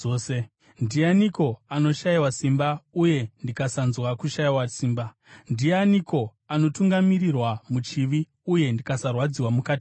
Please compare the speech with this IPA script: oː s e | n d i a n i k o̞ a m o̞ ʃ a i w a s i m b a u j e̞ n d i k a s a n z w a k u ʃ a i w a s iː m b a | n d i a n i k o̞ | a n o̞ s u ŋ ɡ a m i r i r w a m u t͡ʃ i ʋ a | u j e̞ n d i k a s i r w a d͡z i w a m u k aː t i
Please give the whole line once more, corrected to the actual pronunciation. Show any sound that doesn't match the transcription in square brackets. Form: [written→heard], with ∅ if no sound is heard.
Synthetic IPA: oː s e | n d i a n i k o̞ a [m→n] o̞ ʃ a i w a s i m b a u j e̞ n d i k a s a n z w a k u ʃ a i w a s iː m b a | n d i a n i k o̞ | a n o̞ [s→t] u ŋ ɡ a m i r i r w a m u t͡ʃ i ʋ [a→i] | u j e̞ n d i k a s [i→a] r w a d͡z i w a m u k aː t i